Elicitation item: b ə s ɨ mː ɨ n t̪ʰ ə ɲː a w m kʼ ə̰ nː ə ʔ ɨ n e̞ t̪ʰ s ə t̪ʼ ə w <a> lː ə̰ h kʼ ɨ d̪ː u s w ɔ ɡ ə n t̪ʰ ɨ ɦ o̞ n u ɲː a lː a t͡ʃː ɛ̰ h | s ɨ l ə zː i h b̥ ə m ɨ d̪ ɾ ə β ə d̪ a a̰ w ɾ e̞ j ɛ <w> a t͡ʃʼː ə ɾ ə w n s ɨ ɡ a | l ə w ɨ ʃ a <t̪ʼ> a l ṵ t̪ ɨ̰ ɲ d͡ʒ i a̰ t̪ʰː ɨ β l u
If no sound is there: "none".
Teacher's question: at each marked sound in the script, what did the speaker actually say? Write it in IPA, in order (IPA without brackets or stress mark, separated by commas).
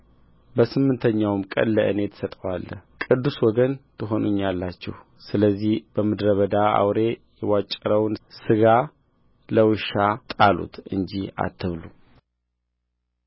a, w, t̪ʼ